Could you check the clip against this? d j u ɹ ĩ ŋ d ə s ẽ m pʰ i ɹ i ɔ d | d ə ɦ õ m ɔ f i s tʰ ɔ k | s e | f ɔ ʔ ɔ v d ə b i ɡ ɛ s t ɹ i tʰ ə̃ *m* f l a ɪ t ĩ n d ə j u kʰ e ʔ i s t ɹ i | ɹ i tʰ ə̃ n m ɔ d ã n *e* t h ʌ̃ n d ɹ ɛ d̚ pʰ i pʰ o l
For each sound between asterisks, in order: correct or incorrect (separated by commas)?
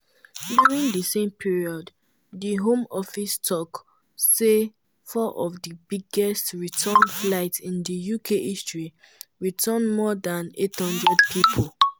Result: incorrect, correct